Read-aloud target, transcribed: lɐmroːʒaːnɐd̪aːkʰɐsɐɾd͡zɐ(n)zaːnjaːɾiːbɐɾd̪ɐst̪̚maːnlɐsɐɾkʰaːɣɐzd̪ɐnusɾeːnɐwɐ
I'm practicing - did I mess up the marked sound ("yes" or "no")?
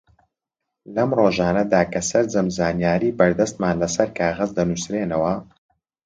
yes